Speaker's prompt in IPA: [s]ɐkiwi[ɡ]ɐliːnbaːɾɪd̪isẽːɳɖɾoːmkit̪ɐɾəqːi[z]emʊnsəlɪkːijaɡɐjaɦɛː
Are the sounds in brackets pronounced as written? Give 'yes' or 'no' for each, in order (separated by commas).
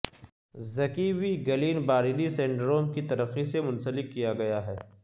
no, yes, no